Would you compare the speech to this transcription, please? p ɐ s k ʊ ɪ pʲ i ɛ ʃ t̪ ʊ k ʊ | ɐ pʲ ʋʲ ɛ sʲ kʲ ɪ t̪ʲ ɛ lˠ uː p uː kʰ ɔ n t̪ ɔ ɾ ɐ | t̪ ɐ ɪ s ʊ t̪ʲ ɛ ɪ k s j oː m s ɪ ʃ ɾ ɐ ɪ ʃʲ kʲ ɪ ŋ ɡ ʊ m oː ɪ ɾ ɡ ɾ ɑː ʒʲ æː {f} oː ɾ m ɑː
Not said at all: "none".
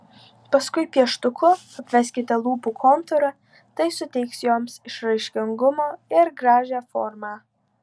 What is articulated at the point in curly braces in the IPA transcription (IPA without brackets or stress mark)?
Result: f